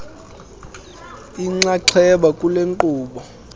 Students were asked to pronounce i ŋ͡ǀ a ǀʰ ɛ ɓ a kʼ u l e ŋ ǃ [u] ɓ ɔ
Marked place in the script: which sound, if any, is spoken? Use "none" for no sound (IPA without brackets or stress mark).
uː